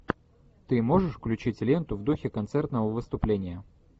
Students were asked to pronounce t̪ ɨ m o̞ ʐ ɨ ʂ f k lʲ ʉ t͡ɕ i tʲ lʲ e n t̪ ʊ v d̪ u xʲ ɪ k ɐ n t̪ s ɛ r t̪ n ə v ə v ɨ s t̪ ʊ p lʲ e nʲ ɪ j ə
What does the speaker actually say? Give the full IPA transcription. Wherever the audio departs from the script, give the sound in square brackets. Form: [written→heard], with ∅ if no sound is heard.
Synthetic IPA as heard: t̪ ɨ m o̞ ʐ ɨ ʂ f k lʲ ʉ t͡ɕ i tʲ lʲ e n t̪ ʊ v d̪ u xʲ ɪ k ɐ n t̪ s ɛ r t̪ n ə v ə v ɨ s t̪ ʊ p lʲ e nʲ ɪ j ə